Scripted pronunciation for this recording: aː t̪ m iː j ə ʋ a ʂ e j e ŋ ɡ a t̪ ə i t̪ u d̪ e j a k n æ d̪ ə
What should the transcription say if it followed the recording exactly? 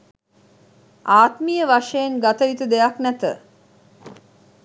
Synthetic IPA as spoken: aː t̪ m i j ə ʋ a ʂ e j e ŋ ɡ a t̪ ə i t̪ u d̪ e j a k n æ t̪ ə